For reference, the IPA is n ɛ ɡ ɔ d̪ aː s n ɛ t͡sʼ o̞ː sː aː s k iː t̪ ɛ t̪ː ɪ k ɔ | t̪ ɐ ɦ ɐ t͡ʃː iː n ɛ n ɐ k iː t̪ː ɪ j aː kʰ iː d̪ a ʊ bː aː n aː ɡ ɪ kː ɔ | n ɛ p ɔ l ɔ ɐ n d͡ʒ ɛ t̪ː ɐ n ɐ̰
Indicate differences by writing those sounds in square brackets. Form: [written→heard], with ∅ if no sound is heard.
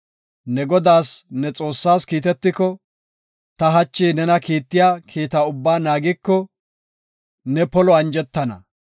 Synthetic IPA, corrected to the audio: n ɛ ɡ ɔ d̪ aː s n ɛ t͡sʼ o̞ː sː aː s k iː t̪ ɛ t̪ː ɪ k ɔ | t̪ ɐ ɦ ɐ t͡ʃː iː n ɛ n ɐ k iː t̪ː ɪ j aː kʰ iː [d̪→t̪] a ʊ bː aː n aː ɡ ɪ kː ɔ | n ɛ p ɔ l ɔ ɐ n d͡ʒ ɛ t̪ː ɐ n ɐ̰